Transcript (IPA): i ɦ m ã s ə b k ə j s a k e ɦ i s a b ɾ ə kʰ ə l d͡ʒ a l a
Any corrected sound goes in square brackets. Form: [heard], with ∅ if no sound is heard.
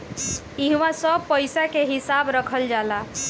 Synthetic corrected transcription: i ɦ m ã s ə b [p] ə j s a k e ɦ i s a b ɾ ə kʰ ə l d͡ʒ a l a